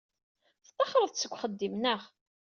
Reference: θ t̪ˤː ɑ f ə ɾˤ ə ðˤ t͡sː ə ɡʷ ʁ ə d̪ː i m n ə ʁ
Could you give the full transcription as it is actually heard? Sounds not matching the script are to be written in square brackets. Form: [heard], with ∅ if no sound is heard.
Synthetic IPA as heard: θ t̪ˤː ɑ [χ] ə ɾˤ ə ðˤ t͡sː ə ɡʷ [χ] ə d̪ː i m n ə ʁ